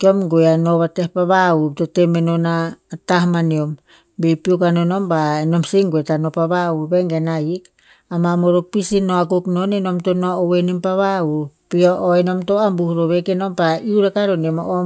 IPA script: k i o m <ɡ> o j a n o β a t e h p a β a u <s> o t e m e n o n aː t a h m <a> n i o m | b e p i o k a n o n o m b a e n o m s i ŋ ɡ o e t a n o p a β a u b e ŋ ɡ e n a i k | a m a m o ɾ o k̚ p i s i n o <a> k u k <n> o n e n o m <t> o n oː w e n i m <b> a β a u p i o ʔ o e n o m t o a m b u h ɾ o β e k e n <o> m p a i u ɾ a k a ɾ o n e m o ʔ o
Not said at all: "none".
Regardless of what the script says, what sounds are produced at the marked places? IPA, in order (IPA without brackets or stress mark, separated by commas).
ɡ, t, a, a, n, t, p, o